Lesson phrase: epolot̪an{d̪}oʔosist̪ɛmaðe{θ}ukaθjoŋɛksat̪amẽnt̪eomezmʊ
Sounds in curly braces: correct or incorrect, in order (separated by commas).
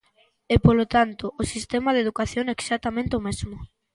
incorrect, incorrect